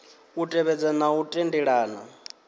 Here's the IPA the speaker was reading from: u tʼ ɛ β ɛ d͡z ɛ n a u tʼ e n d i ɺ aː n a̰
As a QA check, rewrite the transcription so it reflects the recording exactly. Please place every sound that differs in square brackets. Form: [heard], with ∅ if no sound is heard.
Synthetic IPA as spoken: u tʼ ɛ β ɛ d͡z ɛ n a u tʼ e n d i ɺ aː n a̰